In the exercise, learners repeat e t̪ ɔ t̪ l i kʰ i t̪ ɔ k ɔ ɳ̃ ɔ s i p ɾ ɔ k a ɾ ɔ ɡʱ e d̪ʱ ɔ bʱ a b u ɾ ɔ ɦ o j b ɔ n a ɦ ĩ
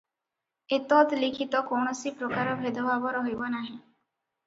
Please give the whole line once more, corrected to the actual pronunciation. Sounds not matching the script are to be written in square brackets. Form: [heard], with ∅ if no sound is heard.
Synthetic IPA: e t̪ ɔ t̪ l i kʰ i t̪ ɔ k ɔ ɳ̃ ɔ s i p ɾ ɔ k a ɾ ɔ [bʱ] e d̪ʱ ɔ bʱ a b [ɔ] ɾ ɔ ɦ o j b ɔ n a ɦ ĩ